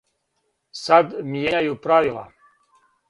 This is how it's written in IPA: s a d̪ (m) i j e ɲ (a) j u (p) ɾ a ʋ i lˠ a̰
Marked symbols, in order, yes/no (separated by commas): yes, yes, yes